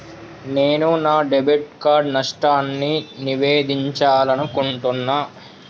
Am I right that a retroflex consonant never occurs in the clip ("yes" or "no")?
no